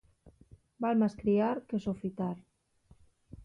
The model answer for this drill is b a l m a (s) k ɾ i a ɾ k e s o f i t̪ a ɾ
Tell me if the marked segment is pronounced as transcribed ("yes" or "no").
yes